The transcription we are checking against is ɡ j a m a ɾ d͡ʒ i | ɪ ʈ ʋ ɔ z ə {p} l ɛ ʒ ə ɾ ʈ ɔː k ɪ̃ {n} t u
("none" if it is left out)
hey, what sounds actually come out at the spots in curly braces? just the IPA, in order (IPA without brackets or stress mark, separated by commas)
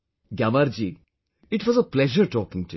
p, ŋ